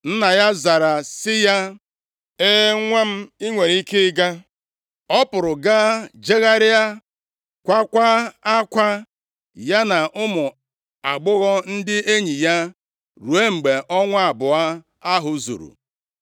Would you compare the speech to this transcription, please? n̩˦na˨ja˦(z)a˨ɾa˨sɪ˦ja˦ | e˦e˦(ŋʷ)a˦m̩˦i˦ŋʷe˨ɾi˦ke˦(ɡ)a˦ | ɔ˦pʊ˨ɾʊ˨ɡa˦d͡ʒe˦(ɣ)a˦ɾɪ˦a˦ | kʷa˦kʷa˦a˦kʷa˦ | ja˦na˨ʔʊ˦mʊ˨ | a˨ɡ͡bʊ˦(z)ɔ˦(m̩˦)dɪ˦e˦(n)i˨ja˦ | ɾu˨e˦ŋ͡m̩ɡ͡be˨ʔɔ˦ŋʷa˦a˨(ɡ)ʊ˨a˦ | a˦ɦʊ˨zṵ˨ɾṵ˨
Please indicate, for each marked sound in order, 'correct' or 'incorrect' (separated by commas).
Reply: correct, correct, correct, correct, incorrect, incorrect, incorrect, incorrect